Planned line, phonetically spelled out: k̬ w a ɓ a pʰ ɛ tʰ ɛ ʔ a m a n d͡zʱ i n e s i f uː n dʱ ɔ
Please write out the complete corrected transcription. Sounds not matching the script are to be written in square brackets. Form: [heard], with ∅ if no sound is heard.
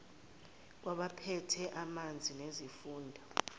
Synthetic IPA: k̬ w a ɓ a pʰ ɛ tʰ ɛ ʔ a m a n d͡zʱ i n e [z] i f uː n dʱ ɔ